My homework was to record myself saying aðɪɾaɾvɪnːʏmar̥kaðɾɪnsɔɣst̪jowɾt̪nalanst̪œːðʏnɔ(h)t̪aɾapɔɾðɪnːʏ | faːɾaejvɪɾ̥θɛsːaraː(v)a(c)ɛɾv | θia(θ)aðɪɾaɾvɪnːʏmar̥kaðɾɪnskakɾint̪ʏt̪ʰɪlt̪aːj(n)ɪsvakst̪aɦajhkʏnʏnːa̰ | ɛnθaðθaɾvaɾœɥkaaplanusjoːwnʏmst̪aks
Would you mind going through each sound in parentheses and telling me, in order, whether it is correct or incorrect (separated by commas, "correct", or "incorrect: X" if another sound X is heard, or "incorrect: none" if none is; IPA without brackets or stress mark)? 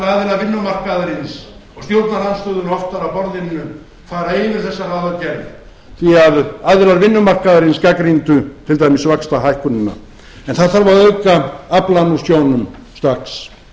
incorrect: f, incorrect: ð, correct, incorrect: ð, incorrect: m